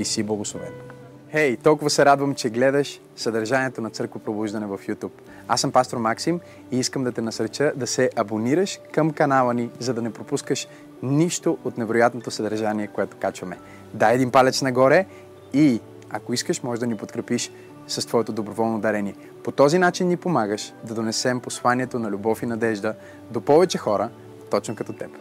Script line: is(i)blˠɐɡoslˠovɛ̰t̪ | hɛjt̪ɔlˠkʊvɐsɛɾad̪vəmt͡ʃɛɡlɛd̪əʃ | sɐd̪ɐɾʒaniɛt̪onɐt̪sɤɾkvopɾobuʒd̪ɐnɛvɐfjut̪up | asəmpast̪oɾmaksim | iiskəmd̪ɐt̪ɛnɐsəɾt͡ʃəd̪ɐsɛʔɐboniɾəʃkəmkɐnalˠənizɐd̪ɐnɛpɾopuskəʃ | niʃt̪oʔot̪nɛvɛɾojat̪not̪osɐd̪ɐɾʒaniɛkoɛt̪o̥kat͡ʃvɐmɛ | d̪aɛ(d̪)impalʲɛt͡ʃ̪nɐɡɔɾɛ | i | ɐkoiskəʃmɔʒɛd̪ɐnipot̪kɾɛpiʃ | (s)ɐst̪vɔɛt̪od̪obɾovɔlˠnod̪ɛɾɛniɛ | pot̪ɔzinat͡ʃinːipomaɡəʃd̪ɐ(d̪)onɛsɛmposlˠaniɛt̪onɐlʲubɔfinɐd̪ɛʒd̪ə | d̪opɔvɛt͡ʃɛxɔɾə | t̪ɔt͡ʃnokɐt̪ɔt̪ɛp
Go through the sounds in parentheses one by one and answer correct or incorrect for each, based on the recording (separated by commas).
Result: correct, correct, correct, correct